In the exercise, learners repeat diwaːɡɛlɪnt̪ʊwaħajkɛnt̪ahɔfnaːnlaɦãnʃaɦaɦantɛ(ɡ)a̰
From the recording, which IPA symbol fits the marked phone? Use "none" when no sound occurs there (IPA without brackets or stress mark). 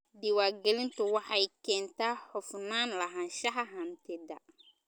d